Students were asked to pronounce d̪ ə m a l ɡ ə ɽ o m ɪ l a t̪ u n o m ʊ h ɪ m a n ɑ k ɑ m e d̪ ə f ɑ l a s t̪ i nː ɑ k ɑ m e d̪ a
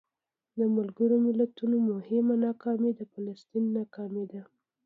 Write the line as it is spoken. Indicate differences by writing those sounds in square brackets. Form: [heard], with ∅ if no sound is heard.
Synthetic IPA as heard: d̪ ə m a l ɡ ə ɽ o m ɪ l a t̪ u n o m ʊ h ɪ m a n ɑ k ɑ m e d̪ ə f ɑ l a s t̪ i nː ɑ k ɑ m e d̪ a